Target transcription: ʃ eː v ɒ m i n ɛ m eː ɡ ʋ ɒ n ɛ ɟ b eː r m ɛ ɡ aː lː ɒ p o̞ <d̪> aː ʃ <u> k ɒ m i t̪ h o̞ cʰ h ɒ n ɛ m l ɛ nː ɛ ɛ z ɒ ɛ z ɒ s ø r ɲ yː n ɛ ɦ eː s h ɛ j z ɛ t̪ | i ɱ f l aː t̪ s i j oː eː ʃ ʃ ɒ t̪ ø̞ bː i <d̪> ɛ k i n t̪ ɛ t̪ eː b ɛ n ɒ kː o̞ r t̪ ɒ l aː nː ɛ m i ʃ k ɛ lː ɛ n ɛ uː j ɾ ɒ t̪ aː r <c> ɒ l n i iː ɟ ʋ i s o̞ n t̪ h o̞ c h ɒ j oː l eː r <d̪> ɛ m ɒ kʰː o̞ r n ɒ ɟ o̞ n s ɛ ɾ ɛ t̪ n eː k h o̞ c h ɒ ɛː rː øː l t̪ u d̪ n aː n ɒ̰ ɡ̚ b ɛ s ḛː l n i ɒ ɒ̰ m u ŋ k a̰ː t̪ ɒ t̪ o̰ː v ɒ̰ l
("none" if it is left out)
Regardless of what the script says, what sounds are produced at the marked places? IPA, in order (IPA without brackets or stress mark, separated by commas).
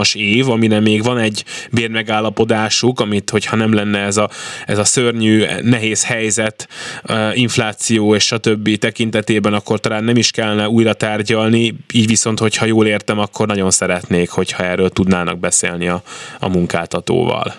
d̪, u, t̪, ɟ, t̪